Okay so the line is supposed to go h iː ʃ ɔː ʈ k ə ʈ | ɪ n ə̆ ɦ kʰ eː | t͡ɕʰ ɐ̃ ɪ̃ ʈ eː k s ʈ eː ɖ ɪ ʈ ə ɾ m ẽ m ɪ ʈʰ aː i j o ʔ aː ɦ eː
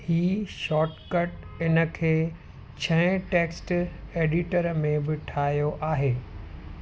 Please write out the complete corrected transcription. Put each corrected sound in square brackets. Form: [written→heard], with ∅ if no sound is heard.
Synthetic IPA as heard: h iː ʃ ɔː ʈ k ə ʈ | ɪ n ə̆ [ɦ→∅] kʰ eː | t͡ɕʰ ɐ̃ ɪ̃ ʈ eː k s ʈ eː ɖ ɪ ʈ ə ɾ m ẽ [m→b] ɪ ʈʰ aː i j o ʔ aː ɦ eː